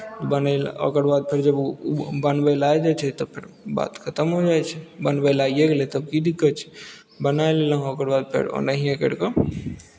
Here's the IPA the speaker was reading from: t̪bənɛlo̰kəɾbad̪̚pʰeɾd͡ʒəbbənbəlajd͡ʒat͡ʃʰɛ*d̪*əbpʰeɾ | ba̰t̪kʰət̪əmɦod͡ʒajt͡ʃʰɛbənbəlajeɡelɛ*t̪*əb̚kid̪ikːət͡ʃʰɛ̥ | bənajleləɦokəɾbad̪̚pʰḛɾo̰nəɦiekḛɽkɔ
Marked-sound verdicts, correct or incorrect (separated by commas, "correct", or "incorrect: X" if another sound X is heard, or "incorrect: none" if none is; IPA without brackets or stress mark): incorrect: t̪, correct